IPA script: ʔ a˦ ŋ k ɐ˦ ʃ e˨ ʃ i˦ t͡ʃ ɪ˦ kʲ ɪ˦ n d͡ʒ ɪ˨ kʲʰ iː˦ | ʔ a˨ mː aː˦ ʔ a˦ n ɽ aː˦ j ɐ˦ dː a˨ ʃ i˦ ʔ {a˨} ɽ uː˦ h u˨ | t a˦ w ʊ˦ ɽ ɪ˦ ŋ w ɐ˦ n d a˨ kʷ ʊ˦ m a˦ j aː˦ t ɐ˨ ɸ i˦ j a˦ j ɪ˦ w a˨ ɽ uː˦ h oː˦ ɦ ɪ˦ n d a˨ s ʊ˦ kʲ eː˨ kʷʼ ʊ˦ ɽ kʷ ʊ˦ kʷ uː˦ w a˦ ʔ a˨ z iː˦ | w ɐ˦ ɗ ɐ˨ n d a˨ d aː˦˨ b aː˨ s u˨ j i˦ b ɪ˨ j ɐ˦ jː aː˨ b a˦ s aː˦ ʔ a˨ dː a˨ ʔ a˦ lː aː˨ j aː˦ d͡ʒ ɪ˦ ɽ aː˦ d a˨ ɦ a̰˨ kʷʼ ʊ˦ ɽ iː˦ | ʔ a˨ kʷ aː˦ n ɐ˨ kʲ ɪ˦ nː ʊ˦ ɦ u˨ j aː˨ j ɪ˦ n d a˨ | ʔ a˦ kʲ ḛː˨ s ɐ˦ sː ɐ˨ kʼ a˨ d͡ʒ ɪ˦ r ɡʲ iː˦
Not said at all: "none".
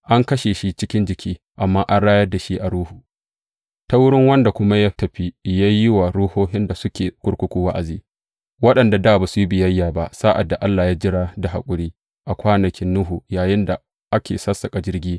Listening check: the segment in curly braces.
a˨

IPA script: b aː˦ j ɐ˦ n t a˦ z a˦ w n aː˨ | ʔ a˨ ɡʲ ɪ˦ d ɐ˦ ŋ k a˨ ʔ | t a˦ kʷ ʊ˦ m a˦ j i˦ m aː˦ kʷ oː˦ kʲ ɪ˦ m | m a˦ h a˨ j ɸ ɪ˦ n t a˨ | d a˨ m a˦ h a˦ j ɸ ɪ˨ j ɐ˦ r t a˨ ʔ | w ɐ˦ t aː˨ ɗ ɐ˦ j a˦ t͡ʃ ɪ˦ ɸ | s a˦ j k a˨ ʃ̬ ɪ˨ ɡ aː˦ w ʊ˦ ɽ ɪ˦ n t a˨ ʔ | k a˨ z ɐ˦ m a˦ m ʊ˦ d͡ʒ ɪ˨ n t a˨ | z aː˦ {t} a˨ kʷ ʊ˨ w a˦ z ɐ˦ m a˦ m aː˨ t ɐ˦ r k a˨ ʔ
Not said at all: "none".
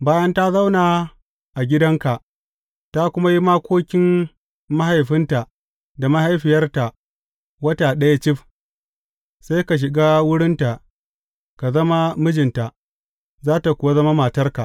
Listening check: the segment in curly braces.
t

